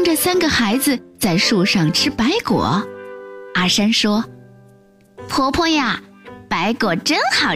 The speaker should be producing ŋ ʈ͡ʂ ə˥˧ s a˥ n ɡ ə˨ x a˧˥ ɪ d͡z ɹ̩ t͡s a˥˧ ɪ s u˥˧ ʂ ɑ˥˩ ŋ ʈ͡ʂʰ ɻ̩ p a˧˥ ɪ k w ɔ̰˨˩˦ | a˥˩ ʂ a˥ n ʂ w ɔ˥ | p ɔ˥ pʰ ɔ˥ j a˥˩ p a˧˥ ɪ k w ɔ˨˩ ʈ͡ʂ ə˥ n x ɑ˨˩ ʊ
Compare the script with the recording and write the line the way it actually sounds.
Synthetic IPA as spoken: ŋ ʈ͡ʂ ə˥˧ s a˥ n ɡ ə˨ x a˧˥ ɪ d͡z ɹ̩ t͡s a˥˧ ɪ ʂ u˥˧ ʂ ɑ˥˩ ŋ ʈ͡ʂʰ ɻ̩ p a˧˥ ɪ k w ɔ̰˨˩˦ | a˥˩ ʂ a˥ n ʂ w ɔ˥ | pʰ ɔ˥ pʰ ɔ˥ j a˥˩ p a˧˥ ɪ k w ɔ˨˩ ʈ͡ʂ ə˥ n x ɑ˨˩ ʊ